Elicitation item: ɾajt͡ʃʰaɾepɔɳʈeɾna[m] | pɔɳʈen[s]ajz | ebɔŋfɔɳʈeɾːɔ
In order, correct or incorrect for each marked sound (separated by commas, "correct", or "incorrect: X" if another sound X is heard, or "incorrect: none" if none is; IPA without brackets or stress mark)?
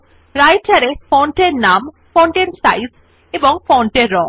correct, correct